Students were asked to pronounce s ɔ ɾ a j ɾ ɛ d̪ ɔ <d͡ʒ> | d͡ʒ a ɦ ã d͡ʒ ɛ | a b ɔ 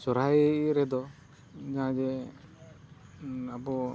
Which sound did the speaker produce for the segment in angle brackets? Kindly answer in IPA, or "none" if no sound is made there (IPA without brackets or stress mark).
none